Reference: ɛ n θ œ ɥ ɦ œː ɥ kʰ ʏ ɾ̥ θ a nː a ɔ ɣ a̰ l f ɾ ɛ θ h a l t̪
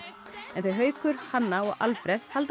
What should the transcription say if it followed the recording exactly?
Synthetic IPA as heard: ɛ n θ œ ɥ ɦ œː ɥ k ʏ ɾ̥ h a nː a ɔ ɣ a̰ l f ɾ ɛ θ h a l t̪